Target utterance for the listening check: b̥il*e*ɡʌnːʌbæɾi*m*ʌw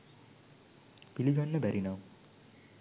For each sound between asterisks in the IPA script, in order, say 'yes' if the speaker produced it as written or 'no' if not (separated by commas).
no, no